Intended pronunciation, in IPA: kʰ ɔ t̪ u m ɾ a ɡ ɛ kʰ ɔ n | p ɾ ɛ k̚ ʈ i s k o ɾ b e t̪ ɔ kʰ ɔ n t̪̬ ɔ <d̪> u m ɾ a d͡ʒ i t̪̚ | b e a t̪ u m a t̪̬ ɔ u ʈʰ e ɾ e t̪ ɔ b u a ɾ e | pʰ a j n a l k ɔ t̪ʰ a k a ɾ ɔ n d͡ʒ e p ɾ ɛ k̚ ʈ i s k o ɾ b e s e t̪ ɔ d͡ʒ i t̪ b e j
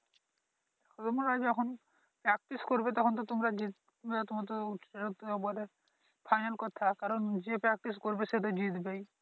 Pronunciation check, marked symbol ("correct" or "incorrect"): incorrect